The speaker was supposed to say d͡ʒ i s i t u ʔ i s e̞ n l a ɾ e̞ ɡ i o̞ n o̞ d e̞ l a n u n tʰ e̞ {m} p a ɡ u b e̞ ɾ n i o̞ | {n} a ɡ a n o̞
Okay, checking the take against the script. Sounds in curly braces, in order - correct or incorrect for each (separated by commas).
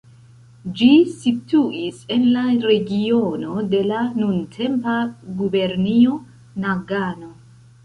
correct, correct